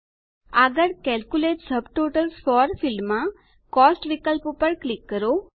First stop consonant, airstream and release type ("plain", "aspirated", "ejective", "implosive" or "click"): plain